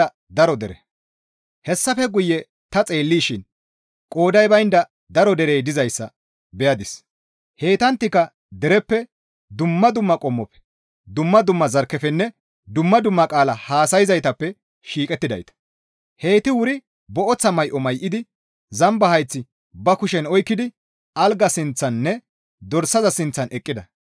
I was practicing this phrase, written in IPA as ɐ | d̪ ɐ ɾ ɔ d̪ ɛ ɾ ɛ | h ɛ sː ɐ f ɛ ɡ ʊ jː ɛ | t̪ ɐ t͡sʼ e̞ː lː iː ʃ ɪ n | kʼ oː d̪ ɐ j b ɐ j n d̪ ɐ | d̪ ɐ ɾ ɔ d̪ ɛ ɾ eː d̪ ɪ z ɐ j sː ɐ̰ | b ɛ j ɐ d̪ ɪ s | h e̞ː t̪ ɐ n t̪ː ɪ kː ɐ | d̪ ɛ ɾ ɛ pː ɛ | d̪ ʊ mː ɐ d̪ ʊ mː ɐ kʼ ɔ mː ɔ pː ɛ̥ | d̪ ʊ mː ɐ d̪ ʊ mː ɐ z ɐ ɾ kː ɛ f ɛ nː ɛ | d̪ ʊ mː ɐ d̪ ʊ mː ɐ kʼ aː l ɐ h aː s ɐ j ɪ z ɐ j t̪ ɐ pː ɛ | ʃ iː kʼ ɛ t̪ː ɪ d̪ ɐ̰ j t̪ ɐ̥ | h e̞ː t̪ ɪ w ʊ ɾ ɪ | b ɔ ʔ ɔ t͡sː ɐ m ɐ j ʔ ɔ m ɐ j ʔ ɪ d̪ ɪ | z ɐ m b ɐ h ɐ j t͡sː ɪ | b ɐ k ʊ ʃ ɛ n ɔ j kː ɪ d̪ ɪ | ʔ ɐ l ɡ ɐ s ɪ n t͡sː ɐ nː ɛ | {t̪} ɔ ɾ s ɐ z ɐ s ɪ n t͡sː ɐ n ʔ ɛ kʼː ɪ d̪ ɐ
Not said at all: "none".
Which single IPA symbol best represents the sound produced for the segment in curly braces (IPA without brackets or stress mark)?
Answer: d̪